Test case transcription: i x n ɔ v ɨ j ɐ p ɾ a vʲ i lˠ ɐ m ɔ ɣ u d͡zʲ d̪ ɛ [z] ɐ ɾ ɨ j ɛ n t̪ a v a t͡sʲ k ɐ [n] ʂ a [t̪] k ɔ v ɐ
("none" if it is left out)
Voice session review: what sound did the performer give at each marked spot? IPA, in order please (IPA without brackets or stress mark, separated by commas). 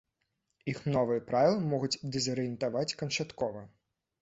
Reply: z, n, t̪